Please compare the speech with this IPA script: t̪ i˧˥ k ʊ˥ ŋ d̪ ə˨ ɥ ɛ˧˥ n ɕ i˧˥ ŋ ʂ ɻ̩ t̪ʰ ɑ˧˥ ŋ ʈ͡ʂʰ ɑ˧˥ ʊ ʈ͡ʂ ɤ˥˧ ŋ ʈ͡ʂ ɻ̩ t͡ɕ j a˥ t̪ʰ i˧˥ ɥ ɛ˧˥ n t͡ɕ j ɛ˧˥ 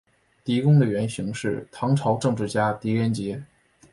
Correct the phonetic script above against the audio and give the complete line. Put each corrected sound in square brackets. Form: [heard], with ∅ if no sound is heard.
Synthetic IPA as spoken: t̪ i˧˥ k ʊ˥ ŋ d̪ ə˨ ɥ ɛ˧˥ n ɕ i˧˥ ŋ ʂ ɻ̩ t̪ʰ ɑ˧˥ ŋ ʈ͡ʂʰ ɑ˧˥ ʊ ʈ͡ʂ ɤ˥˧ ŋ ʈ͡ʂ ɻ̩ t͡ɕ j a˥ [t̪] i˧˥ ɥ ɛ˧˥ n t͡ɕ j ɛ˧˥